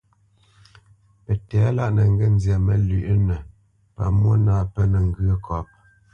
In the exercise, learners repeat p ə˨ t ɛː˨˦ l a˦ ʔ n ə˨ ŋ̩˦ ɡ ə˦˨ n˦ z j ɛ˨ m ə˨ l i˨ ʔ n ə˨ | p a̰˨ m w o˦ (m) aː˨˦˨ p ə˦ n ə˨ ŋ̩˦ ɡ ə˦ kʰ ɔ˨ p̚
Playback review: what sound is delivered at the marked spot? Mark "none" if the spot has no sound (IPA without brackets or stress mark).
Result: n